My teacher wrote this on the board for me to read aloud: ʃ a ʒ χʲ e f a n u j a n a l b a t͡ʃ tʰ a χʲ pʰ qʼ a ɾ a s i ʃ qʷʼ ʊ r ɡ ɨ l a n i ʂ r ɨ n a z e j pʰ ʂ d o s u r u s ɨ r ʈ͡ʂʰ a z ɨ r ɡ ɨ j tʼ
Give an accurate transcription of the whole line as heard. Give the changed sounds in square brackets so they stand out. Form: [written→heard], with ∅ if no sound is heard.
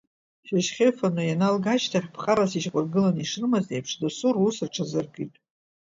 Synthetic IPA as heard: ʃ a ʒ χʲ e f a n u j a n a l [b→ɡ] a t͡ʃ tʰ a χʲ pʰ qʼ a ɾ a s i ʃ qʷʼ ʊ r ɡ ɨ l a n i ʂ r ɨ [n→m] a z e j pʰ ʂ d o s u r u s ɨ r ʈ͡ʂʰ a z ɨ r ɡ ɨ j tʼ